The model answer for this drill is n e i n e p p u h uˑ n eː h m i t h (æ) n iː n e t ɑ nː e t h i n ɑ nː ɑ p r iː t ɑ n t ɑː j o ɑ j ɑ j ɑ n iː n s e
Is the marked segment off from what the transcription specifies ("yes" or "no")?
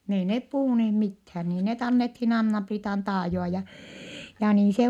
yes